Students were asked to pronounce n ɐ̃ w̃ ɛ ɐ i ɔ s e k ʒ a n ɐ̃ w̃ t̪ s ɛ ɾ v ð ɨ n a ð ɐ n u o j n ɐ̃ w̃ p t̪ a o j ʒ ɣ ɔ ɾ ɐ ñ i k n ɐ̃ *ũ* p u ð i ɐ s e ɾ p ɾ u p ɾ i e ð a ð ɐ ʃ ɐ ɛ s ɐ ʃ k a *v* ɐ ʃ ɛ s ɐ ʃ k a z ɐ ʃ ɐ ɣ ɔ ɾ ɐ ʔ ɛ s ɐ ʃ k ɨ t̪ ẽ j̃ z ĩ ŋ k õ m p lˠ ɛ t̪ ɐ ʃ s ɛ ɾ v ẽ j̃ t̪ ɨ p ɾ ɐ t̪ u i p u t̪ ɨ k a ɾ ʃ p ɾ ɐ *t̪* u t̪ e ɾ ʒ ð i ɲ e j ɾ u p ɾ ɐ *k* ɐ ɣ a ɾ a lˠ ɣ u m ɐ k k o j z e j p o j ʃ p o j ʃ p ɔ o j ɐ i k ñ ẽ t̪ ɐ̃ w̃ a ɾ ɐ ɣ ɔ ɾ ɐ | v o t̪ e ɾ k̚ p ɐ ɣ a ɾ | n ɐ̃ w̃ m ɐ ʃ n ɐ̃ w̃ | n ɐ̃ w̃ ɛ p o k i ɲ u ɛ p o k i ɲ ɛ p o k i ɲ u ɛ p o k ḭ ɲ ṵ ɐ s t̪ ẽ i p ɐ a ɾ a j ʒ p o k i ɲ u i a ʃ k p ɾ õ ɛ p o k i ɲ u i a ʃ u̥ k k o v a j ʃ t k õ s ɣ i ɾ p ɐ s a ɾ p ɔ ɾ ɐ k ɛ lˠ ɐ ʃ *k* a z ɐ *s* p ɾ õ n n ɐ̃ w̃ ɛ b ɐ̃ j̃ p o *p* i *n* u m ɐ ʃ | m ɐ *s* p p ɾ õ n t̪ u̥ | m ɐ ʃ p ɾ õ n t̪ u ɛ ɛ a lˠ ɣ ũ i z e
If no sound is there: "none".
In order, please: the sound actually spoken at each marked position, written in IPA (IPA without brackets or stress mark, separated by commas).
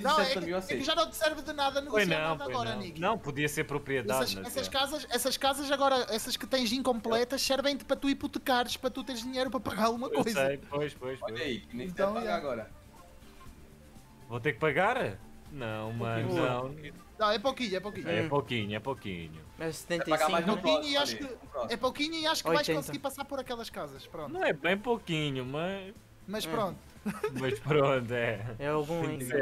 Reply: w̃, z, t̪, p, k, ʃ, k, ɲ, ʃ